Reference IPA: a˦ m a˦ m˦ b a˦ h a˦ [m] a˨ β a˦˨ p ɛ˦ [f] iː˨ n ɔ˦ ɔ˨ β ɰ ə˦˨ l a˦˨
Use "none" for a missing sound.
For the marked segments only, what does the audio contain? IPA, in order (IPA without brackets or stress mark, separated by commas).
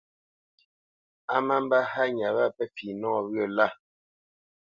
ɲ, f